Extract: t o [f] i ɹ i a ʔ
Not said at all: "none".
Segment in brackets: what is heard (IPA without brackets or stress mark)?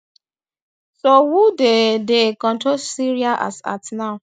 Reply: s